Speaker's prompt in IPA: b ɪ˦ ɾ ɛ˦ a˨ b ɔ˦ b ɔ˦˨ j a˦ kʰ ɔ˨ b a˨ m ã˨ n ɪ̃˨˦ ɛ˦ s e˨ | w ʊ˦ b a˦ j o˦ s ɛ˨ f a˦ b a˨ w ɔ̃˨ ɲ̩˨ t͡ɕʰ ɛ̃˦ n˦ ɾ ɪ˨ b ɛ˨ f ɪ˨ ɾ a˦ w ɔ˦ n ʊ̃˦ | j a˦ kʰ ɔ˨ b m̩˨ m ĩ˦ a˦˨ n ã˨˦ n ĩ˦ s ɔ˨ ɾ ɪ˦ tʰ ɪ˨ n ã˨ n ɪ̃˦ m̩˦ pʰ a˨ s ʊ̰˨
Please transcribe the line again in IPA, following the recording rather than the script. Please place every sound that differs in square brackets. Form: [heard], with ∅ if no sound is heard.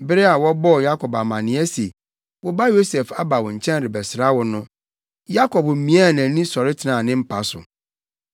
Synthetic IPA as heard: b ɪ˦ ɾ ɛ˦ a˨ [w] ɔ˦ b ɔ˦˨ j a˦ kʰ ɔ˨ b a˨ m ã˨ n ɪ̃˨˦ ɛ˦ s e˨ | w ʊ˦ b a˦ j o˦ s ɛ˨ f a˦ b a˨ w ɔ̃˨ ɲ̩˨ t͡ɕʰ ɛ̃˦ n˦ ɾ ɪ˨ b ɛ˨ [s] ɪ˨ ɾ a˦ w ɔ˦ n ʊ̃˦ | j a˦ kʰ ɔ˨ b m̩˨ m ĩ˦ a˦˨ n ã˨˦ n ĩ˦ s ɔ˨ ɾ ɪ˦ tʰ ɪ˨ n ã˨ n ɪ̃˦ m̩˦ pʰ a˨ s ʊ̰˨